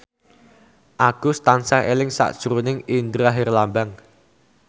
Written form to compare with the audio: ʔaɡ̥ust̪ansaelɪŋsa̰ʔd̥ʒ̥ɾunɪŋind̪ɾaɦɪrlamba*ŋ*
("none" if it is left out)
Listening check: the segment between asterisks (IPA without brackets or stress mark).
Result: ŋ